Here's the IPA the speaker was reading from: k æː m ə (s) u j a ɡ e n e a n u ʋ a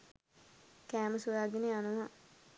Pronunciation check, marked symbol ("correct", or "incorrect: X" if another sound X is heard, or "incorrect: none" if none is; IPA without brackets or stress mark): correct